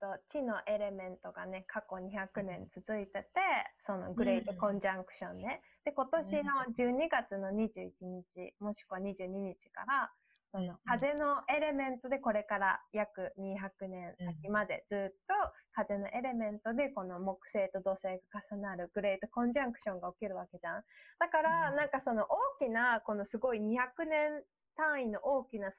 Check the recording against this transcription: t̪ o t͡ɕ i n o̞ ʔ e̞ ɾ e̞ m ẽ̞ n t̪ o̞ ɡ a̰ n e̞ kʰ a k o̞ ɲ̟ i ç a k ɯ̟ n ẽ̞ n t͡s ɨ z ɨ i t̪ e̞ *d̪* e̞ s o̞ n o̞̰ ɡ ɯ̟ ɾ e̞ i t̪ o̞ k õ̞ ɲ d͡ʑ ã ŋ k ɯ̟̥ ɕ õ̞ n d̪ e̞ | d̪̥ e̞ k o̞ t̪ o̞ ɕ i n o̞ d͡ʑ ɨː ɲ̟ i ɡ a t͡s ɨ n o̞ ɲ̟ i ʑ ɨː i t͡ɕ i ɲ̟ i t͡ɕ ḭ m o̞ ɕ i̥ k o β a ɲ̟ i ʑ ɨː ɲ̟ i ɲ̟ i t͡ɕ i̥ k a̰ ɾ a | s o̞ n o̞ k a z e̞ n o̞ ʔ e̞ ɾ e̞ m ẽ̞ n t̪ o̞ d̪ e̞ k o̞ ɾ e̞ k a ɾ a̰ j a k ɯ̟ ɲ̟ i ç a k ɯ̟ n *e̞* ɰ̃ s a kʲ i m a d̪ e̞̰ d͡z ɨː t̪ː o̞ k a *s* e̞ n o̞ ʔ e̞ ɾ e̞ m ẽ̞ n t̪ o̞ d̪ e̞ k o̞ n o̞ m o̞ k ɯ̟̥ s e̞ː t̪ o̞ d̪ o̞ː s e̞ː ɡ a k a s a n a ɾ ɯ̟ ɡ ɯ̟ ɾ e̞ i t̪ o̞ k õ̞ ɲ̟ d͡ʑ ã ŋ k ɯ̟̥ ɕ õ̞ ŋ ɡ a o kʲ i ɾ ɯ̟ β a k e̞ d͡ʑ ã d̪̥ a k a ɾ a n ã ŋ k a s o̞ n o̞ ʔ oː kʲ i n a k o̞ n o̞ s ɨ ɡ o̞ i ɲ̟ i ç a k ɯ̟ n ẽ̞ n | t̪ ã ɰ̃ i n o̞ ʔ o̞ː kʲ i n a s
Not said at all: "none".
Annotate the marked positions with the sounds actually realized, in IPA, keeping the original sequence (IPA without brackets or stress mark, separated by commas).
t̪, ẽ̞, z